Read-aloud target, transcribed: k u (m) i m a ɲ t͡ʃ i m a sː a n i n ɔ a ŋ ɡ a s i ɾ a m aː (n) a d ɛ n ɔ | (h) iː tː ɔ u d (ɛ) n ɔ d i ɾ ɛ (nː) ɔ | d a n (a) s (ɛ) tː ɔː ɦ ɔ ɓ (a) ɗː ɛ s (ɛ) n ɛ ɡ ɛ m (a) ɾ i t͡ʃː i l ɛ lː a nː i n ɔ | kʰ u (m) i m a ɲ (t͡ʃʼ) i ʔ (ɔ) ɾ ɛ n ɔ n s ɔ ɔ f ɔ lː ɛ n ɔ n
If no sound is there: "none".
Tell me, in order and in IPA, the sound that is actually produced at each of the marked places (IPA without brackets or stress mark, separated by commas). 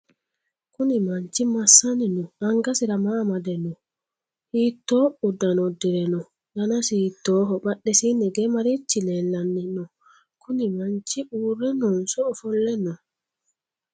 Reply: n, m, h, a, n, a, i, a, i, a, n, t͡ʃ, u